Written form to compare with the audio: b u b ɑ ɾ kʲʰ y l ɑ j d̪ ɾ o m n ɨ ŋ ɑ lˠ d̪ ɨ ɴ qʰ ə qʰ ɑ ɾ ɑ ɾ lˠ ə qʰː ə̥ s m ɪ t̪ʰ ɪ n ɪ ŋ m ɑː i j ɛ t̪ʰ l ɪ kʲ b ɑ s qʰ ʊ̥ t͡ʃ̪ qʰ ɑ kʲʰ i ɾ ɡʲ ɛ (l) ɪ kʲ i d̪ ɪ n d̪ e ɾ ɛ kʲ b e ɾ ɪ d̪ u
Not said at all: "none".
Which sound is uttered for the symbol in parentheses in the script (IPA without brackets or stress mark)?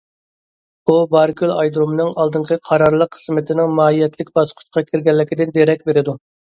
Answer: lː